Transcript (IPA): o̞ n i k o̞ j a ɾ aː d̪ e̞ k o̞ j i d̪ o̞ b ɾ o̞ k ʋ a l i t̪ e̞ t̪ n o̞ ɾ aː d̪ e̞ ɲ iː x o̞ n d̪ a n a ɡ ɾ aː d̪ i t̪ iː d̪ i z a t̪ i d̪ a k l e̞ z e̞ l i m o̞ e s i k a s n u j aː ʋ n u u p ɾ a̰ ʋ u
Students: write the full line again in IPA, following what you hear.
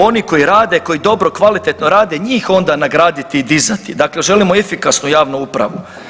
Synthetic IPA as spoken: o̞ n i k o̞ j i ɾ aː d̪ e̞ k o̞ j i d̪ o̞ b ɾ o̞ k ʋ a l i t̪ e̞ t̪ n o̞ ɾ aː d̪ e̞ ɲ iː x o̞ n d̪ a n a ɡ ɾ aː d̪ i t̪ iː d̪ i z a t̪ i d̪ a k l e̞ ʒ e̞ l i m o̞ e f i k a s n u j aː ʋ n u u p ɾ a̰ ʋ u